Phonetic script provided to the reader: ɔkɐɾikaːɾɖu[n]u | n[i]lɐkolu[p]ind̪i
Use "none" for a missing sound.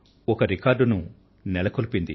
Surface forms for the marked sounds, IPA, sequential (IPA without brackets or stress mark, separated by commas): n, ɛ, p